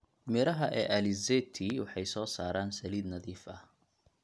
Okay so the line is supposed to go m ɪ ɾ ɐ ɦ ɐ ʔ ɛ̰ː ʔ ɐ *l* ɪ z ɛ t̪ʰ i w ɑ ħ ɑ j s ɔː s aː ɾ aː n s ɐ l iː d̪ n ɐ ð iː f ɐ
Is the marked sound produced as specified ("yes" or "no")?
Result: yes